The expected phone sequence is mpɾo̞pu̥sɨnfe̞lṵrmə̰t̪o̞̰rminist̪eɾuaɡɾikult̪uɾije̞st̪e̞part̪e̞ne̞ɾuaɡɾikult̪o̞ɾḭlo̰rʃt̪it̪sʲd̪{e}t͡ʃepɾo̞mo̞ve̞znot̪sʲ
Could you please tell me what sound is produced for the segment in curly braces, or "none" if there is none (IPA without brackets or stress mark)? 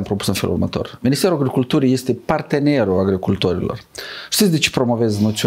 e